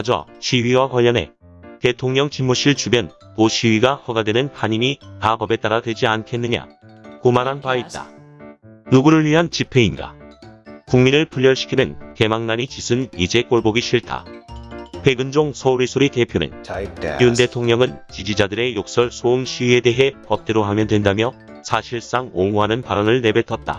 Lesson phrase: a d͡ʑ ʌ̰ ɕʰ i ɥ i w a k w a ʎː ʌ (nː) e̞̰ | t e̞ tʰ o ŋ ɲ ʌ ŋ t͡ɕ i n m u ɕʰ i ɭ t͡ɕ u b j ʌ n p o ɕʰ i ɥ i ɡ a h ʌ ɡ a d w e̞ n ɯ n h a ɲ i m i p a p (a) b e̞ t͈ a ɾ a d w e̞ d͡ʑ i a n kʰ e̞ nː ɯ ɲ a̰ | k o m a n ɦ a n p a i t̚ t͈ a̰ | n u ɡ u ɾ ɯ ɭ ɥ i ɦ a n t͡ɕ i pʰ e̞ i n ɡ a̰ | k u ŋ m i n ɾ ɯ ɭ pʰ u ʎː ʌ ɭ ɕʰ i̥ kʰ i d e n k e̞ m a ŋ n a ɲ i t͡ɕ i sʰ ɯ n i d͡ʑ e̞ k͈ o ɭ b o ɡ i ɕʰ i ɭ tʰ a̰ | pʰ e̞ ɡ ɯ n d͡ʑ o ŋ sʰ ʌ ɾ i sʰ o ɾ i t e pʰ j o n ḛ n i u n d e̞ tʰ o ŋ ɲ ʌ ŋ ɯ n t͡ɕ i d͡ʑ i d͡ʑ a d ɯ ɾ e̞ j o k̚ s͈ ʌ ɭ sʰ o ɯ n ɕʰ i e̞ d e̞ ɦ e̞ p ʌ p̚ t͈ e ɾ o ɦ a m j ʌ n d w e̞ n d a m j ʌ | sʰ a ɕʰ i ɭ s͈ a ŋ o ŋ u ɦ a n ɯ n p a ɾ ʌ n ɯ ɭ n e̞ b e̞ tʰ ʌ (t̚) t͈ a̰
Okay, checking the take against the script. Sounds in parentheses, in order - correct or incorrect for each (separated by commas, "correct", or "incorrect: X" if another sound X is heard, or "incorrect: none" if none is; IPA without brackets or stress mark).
incorrect: n, incorrect: ʌ, correct